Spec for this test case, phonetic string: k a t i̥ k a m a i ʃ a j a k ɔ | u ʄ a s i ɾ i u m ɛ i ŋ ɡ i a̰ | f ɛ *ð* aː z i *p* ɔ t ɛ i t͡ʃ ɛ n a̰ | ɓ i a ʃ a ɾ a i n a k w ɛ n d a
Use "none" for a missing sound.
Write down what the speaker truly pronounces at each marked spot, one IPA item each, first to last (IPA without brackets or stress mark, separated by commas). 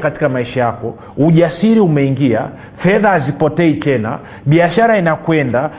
ð, p